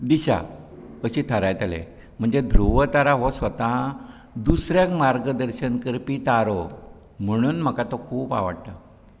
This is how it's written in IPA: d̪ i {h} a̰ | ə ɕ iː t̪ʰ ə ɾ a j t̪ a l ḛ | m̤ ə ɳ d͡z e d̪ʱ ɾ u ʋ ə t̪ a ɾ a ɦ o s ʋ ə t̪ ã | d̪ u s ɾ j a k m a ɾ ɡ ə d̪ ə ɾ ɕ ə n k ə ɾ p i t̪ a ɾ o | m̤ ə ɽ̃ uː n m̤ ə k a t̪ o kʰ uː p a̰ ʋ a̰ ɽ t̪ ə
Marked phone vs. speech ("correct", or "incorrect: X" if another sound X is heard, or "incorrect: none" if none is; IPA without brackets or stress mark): incorrect: ɕ